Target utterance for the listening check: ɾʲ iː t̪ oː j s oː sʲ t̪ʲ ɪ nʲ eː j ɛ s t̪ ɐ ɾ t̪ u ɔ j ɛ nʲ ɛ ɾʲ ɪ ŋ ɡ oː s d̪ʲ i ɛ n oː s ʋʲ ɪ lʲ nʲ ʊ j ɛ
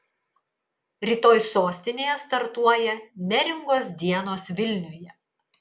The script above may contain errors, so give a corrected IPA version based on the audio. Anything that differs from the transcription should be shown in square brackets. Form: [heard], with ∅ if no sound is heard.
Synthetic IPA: ɾʲ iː t̪ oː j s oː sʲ t̪ʲ ɪ nʲ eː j ɛ s t̪ ɐ ɾ t̪ u ɔ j ɛ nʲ ɛ ɾʲ ɪ ŋ ɡ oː s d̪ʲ i ɛ n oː s ʋʲ ɪ lʲ nʲ ʊ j ɛ